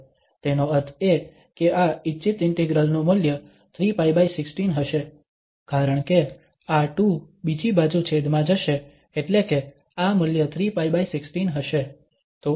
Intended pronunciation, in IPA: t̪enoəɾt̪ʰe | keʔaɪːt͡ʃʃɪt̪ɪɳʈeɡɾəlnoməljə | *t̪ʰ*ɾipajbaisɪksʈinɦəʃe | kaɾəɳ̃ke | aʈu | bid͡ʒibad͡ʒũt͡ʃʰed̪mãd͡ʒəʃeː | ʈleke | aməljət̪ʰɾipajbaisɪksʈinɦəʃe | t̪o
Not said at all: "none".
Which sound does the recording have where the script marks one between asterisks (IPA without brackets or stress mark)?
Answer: t̪ʰ